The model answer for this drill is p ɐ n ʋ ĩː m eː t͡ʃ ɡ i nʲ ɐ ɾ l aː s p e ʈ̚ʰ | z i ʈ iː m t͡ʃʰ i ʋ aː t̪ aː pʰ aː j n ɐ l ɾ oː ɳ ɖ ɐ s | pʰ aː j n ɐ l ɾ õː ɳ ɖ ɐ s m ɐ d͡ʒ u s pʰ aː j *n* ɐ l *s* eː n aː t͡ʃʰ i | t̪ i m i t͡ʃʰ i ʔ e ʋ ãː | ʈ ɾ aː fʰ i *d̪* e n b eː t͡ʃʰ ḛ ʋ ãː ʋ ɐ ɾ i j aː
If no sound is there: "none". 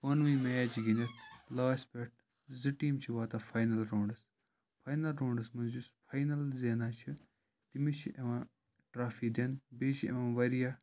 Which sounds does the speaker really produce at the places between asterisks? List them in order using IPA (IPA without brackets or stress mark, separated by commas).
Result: n, z, d̪